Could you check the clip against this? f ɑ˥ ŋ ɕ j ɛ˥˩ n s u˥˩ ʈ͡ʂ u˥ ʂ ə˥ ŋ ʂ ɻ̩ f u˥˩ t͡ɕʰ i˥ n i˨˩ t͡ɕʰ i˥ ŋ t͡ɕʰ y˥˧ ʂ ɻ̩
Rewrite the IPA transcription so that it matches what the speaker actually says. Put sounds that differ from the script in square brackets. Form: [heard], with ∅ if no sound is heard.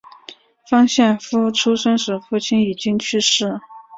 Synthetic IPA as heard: f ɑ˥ ŋ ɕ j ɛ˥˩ n [f] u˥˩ [ʈ͡ʂʰ] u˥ ʂ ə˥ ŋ ʂ ɻ̩ f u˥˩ t͡ɕʰ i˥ n i˨˩ [t͡ɕ] i˥ ŋ t͡ɕʰ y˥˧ ʂ ɻ̩